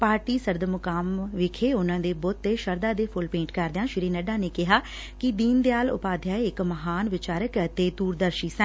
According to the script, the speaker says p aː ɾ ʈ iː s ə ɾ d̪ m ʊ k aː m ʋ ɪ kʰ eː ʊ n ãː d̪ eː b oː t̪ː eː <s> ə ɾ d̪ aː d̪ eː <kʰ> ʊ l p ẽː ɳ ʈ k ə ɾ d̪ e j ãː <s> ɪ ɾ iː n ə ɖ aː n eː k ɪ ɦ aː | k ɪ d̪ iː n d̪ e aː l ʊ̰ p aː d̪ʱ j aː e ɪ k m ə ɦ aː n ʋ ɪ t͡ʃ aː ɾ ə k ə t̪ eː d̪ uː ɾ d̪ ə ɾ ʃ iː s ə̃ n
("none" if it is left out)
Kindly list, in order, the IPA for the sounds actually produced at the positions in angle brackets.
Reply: ʃ, pʰ, ʃ

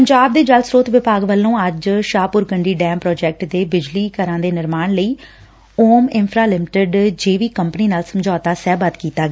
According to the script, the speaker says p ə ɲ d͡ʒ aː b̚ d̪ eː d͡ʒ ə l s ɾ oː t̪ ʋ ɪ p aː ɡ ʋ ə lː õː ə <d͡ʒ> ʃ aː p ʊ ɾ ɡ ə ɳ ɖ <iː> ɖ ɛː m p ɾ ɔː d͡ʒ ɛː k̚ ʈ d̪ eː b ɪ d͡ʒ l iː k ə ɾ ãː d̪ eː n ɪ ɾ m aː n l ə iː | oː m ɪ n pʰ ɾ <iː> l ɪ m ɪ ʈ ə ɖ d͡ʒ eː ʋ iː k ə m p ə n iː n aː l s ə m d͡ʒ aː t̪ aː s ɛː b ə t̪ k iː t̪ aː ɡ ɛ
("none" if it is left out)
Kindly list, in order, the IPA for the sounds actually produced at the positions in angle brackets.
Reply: d͡ʒ, iː, aː

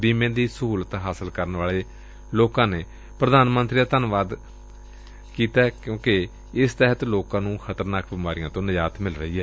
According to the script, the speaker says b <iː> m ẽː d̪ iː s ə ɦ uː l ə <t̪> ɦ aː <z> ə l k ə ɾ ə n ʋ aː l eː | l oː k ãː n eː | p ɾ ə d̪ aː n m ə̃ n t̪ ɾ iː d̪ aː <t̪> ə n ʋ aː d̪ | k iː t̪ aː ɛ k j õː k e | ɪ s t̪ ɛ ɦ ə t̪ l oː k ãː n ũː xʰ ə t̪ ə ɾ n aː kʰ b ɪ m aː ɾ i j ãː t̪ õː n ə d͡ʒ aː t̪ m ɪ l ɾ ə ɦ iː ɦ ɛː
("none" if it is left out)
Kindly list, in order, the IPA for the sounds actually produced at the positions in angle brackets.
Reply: iː, t̪, s, t̪

